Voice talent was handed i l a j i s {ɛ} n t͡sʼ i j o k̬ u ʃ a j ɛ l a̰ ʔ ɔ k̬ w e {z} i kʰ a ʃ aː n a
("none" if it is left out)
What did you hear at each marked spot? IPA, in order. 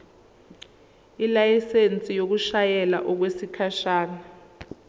e, s

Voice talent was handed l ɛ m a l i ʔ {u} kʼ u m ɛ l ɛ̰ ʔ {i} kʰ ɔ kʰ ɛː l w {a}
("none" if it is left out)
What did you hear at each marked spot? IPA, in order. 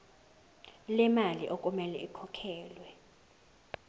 o, i, ɛ

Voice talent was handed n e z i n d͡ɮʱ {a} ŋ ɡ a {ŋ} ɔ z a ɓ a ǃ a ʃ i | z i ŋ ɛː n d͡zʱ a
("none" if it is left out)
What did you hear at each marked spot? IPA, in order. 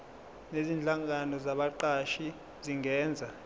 a, n

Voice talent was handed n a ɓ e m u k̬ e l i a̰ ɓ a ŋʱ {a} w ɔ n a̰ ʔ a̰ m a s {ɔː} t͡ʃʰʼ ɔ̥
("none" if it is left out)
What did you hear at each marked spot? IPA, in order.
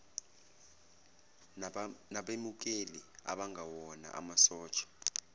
a, ɔː

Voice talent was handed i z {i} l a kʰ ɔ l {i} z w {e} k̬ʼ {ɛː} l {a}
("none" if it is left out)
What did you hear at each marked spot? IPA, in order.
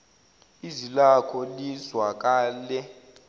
i, i, a, aː, ɛ

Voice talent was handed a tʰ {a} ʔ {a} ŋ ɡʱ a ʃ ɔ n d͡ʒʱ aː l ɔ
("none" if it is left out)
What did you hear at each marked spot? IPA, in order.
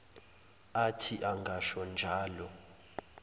i, a

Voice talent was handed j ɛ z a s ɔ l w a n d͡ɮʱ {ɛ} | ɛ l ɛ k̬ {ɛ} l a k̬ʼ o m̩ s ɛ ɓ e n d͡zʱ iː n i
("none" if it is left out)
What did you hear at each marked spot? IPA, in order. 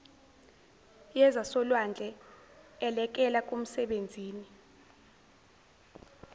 ɛ, ɛ

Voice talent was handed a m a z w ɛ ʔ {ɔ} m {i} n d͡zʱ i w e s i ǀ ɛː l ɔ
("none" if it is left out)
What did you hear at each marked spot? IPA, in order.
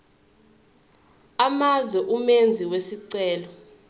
u, e

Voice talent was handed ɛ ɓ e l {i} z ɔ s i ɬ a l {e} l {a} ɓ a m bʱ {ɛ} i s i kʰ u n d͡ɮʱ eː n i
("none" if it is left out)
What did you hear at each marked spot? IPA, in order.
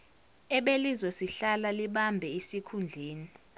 i, a, i, ɛ

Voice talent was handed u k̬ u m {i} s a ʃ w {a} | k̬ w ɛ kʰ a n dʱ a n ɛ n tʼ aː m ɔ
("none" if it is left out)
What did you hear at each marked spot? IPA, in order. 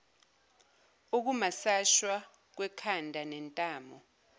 a, a

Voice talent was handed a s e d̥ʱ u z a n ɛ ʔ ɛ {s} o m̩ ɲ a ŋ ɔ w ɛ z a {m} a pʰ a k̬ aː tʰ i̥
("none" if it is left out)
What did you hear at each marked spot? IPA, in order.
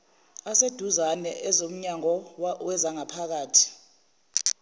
z, ŋ

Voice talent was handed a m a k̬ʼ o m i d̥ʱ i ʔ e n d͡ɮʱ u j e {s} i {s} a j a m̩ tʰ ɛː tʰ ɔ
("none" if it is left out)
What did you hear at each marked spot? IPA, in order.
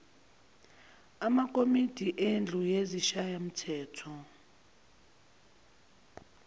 z, ʃ

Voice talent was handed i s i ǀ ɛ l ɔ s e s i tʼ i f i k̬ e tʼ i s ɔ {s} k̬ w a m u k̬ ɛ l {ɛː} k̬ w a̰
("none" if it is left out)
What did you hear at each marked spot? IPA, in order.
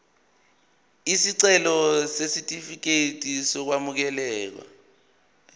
none, ɛː

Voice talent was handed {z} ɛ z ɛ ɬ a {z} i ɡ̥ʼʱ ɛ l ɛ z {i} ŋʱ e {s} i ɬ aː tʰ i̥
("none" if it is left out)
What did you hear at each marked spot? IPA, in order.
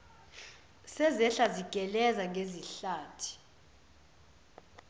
s, z, a, z

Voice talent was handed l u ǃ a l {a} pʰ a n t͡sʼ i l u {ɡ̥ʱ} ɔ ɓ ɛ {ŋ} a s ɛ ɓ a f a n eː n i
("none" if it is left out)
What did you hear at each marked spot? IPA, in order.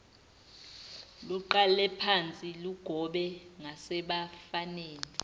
ɛ, ɡ̥ʱ, ŋ

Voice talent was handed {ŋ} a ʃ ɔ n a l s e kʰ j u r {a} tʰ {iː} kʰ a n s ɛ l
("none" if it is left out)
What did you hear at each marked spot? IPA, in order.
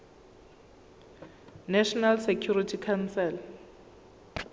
n, i, i

